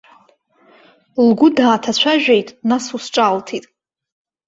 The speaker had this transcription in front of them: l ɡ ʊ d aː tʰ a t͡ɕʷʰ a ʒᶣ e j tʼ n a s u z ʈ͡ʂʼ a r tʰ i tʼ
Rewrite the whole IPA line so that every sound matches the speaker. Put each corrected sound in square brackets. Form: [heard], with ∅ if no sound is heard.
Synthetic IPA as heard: l ɡ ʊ d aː tʰ a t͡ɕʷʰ a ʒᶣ e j tʼ n a s u [s] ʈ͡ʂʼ a [l] tʰ i tʼ